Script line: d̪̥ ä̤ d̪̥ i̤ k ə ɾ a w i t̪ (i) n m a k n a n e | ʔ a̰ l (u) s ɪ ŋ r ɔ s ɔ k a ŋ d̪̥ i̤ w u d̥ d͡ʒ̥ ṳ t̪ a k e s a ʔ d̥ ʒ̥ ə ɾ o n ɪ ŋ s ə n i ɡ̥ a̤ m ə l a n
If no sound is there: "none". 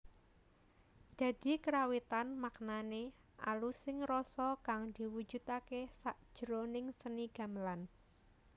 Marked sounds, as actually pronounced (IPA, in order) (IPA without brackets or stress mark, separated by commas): a, u